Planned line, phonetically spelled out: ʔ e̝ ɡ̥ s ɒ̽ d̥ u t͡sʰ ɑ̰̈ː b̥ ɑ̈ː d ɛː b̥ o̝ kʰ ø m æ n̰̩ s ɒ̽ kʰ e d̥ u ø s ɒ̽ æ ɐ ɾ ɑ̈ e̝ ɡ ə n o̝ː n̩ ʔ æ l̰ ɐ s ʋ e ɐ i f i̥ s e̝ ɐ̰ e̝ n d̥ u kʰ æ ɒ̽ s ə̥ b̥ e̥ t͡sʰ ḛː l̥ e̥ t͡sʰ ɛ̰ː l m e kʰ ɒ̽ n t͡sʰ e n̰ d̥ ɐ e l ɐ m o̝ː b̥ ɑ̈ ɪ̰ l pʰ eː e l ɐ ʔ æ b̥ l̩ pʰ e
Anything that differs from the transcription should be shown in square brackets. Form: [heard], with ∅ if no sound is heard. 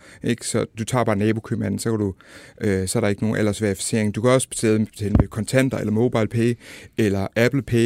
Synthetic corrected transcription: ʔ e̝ ɡ̥ s ɒ̽ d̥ u t͡sʰ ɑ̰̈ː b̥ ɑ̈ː [n] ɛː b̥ o̝ kʰ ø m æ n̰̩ s ɒ̽ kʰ [æ] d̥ u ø s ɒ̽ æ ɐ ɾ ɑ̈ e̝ ɡ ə n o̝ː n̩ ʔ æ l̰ ɐ s ʋ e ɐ i f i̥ s e̝ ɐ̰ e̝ [ŋ] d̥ u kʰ æ ɒ̽ s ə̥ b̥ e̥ t͡sʰ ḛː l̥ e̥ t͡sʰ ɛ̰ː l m e kʰ ɒ̽ n t͡sʰ e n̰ d̥ ɐ e l ɐ m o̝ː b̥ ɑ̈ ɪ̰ l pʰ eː e l ɐ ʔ æ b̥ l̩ pʰ e